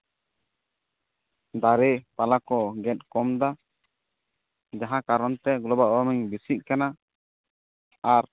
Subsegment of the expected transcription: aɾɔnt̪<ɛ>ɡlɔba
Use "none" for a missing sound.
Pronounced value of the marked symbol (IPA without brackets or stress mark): ɛ